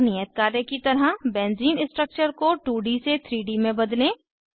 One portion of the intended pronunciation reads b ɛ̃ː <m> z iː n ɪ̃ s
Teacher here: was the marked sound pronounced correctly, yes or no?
no